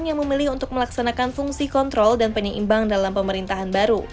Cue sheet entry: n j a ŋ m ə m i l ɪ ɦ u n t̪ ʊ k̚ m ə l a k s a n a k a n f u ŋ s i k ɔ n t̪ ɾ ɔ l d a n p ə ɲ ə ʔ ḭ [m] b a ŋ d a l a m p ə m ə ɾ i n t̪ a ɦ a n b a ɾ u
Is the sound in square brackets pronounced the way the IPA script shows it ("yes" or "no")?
yes